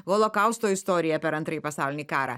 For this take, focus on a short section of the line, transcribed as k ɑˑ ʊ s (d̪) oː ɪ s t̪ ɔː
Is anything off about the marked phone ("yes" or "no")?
yes